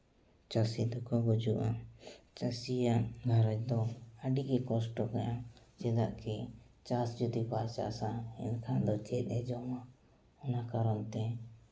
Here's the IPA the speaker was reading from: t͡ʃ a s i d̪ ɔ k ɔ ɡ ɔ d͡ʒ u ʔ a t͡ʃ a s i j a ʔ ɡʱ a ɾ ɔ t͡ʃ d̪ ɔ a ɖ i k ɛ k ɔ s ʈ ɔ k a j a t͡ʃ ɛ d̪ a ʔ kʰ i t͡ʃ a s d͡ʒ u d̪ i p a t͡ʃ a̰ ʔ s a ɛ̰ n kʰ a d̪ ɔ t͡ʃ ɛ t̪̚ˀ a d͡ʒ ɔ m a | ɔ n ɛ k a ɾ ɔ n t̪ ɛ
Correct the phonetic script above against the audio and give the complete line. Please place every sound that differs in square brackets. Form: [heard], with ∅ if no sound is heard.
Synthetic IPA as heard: t͡ʃ a s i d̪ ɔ k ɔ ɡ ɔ d͡ʒ u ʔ a t͡ʃ a s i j a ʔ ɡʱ a ɾ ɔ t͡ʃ d̪ ɔ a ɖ i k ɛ k ɔ s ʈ ɔ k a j a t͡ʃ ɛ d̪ a ʔ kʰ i t͡ʃ a s d͡ʒ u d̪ i p a t͡ʃ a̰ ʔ s a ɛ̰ n kʰ a d̪ ɔ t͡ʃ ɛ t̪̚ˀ [ɛ] d͡ʒ ɔ m a | ɔ n [a] k a ɾ ɔ n t̪ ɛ